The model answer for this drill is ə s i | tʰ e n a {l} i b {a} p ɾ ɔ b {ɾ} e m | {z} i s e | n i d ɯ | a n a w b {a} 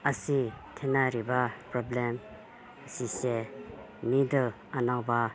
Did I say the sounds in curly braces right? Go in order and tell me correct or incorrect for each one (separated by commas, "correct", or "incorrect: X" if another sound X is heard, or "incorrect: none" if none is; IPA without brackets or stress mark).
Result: incorrect: ɾ, correct, incorrect: l, incorrect: s, correct